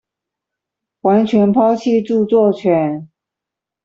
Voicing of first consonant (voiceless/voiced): voiced